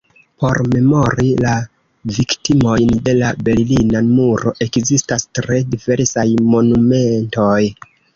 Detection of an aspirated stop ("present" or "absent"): absent